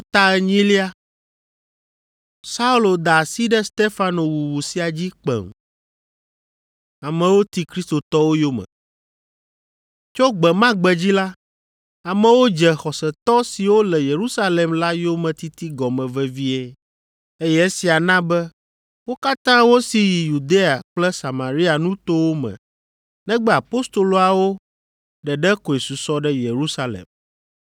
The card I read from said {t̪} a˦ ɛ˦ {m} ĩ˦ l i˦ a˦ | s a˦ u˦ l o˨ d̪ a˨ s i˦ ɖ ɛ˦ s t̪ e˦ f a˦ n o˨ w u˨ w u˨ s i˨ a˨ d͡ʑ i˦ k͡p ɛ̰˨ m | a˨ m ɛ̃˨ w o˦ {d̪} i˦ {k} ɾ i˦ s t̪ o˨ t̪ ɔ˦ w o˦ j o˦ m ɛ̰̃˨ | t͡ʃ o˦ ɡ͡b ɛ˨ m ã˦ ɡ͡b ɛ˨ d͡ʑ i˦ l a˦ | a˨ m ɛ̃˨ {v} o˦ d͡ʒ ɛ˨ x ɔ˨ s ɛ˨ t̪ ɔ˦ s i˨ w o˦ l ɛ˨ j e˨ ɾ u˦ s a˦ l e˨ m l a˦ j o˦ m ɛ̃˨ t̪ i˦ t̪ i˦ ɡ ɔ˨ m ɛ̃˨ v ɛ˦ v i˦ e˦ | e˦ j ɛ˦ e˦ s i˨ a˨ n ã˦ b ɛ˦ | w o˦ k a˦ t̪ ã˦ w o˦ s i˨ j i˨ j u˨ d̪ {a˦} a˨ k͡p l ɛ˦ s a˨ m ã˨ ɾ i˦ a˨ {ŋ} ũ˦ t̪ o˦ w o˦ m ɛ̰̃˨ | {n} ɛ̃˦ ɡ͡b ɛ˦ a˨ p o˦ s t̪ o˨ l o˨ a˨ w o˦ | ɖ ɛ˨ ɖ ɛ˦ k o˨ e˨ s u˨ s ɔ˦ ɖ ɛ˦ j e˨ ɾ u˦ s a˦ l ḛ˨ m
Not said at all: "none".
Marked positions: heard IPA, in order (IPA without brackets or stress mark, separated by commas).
t̪, ɲ, t̪, k, w, e˦, n, n